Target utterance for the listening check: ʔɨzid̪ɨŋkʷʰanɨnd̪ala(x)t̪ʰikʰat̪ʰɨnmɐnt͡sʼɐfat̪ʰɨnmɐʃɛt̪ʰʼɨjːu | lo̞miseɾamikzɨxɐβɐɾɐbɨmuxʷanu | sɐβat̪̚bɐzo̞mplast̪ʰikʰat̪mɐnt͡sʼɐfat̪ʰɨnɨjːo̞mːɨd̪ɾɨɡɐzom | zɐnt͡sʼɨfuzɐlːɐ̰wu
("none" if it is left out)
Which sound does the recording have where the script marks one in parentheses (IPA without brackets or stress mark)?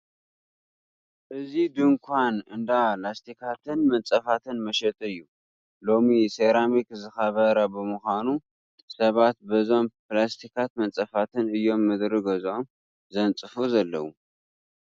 s